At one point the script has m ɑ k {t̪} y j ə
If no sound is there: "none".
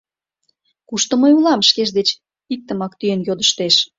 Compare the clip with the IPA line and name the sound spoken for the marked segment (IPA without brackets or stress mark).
t̪